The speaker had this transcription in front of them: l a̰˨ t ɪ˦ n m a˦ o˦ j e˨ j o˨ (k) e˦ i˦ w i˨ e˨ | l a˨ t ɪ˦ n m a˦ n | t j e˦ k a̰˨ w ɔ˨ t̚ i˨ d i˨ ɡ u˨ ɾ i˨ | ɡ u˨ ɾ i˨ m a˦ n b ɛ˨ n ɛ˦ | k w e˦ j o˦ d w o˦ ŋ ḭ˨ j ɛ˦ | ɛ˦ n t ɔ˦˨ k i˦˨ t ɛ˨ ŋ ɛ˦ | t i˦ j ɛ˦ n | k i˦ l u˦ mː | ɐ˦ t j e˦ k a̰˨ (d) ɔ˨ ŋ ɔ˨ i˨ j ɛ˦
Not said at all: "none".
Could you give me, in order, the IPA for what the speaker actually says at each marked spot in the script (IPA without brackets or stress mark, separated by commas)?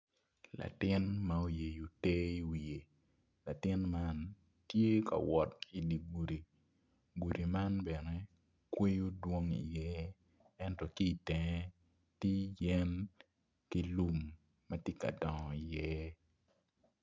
t, d